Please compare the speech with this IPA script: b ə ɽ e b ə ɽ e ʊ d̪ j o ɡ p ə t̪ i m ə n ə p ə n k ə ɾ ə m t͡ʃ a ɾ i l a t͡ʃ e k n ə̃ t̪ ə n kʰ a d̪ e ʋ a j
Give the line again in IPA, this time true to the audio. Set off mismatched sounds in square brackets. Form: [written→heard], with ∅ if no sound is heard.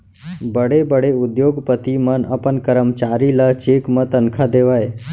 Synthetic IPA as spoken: b ə ɽ e b ə ɽ e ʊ d̪ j o ɡ p ə t̪ i m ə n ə p ə n k ə ɾ ə m t͡ʃ a ɾ i l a t͡ʃ e k [n→m] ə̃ t̪ ə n kʰ a d̪ e ʋ a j